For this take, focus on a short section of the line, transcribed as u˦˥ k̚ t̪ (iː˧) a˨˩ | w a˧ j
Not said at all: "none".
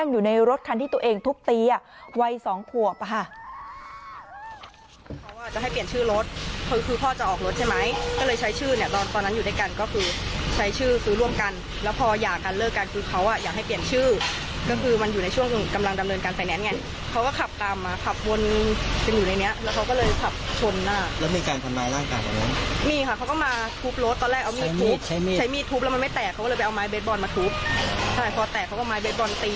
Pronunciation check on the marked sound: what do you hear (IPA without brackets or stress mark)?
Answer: iː˧